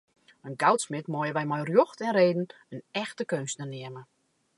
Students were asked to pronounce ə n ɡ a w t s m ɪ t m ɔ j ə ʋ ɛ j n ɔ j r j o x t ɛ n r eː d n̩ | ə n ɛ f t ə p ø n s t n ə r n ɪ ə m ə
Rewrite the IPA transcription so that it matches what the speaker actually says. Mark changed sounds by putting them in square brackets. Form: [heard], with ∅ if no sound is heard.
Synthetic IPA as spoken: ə n ɡ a w t s m ɪ t m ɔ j ə ʋ ɛ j [m] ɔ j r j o x t ɛ n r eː d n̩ | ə n ɛ [x] t ə [k] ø n s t n ə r n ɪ ə m ə